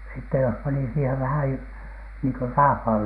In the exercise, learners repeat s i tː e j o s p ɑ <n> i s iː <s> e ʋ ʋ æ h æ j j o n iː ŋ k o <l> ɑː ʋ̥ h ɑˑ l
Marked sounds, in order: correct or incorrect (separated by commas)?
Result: correct, incorrect, incorrect